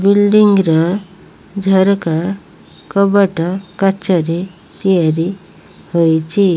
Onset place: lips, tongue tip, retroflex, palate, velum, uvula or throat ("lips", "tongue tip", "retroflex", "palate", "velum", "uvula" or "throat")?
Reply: lips